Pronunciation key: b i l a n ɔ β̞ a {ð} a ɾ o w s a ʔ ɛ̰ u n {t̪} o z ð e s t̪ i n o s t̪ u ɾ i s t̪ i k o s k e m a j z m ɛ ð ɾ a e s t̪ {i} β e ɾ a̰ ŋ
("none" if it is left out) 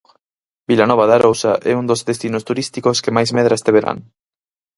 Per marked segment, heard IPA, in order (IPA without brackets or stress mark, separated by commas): ð, d̪, e